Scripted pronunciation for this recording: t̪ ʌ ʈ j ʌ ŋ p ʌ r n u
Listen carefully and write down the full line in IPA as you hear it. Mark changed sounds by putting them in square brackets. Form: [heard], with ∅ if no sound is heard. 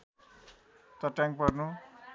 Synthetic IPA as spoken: t̪ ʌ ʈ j [a] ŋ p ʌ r n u